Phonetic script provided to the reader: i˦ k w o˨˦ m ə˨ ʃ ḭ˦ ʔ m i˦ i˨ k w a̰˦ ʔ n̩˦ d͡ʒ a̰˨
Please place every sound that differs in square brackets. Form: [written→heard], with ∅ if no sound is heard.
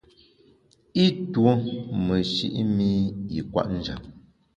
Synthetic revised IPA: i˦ [k→t] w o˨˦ m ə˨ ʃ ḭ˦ ʔ m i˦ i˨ k w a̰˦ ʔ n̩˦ d͡ʒ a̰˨